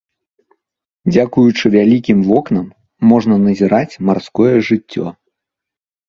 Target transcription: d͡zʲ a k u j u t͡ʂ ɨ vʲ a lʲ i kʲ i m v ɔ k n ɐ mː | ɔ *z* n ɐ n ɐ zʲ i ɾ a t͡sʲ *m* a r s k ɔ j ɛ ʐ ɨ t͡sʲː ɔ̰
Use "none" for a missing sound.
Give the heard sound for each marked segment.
ʐ, m

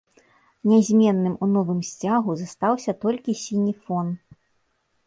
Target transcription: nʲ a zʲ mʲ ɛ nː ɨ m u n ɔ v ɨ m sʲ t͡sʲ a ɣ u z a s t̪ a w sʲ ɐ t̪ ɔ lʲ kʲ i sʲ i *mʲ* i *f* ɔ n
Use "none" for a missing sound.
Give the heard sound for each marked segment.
nʲ, f

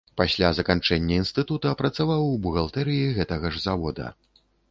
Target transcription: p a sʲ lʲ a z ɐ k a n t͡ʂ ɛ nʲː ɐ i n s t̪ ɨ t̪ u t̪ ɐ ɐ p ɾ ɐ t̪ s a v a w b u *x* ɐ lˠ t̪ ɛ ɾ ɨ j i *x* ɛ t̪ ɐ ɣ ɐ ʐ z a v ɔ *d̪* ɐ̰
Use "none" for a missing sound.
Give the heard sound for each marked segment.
ɣ, ɣ, d̪

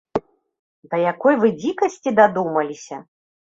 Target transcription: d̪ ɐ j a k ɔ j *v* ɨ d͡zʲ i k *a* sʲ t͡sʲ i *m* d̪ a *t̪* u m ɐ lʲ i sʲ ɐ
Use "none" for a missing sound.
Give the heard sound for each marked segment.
v, ɐ, none, d̪

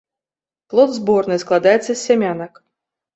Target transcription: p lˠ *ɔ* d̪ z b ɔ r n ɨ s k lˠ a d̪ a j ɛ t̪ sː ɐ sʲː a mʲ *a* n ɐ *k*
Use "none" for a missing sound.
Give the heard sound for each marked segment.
ɔ, a, k

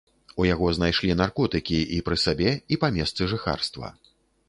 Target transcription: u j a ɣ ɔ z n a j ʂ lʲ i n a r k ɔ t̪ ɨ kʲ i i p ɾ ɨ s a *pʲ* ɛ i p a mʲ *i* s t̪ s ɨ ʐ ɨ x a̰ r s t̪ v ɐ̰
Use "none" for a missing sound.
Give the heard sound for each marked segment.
bʲ, ɛ

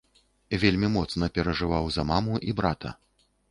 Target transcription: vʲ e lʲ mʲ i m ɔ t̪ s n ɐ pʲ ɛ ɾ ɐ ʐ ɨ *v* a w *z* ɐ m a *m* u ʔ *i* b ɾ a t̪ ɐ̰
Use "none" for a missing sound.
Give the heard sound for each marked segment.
v, z, m, i

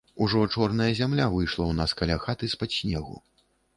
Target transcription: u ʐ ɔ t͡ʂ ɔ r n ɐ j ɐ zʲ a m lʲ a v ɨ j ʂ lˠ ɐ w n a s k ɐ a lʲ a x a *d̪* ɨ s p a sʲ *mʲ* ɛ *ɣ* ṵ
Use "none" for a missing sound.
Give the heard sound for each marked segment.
t̪, nʲ, ɣ

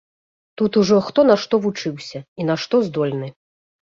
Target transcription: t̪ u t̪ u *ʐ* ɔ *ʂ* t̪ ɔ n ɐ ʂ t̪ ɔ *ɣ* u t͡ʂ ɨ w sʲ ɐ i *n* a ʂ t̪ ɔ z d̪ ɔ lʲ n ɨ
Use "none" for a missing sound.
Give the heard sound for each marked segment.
ʐ, x, v, n

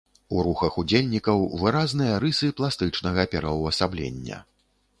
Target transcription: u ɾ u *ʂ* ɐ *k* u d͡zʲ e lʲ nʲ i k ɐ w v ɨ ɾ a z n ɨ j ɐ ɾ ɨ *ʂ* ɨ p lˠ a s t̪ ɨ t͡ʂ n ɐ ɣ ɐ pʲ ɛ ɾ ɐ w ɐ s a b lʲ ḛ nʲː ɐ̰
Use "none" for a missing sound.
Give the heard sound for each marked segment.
x, x, s

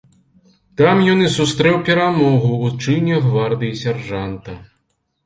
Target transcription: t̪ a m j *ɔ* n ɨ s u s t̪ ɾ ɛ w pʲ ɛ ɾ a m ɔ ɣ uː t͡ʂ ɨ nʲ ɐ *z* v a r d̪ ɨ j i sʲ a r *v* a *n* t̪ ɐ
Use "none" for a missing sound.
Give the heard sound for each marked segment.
ɔ, ɣ, ʐ, n

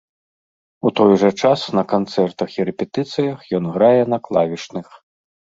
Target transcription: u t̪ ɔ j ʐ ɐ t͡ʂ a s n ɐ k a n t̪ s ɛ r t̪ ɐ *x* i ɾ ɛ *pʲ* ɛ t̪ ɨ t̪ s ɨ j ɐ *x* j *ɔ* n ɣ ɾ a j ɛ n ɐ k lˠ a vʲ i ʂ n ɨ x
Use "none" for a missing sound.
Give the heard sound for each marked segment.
x, pʲ, x, ɔ

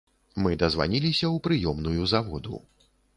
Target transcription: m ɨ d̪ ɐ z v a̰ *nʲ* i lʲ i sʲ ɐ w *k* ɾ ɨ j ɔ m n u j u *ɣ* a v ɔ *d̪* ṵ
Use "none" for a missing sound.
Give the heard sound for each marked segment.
nʲ, p, z, d̪

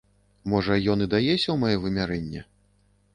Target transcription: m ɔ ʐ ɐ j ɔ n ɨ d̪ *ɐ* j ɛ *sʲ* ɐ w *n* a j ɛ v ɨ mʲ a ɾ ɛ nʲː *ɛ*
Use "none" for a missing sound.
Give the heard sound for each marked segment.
a, sʲ, m, ɛ

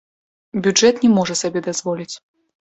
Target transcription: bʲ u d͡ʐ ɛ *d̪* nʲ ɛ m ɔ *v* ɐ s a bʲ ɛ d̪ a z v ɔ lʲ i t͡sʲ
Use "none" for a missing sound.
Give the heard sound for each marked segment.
t̪, ʐ

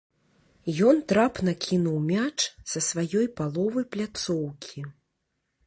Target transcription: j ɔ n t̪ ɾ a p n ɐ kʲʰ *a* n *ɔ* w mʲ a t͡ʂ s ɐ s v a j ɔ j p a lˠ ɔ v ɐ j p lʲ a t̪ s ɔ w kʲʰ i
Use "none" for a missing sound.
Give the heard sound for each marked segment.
i, u

